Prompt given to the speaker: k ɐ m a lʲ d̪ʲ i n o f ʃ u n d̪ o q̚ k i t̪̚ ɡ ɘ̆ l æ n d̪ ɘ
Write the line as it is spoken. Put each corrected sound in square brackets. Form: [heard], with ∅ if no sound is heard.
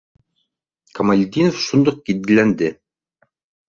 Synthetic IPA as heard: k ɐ m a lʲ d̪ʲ i n o f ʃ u n d̪ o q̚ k i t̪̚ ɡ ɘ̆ l æ n d̪ ɘ

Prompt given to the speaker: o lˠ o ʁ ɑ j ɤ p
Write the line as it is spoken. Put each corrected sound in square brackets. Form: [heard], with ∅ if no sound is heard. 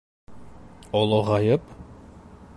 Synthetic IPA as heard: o lˠ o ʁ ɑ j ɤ p

